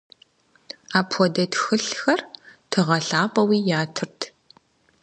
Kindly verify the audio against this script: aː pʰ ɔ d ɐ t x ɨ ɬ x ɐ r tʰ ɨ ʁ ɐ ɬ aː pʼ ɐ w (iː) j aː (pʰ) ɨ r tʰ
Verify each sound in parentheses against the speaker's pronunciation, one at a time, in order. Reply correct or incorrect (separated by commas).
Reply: correct, incorrect